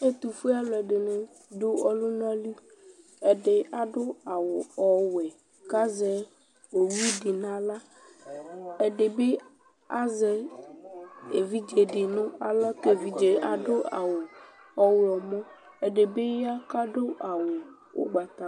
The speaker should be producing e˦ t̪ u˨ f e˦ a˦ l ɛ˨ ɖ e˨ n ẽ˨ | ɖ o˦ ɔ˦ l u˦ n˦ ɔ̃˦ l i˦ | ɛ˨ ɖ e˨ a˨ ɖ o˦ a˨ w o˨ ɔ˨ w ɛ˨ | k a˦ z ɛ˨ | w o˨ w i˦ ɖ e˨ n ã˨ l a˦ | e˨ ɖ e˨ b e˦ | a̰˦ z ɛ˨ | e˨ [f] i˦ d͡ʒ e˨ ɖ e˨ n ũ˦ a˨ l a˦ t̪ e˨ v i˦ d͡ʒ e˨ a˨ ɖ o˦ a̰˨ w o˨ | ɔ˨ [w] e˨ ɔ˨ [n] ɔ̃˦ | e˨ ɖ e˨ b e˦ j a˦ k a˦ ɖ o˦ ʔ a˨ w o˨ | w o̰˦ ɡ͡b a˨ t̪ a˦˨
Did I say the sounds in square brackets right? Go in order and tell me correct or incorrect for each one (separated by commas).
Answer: incorrect, correct, incorrect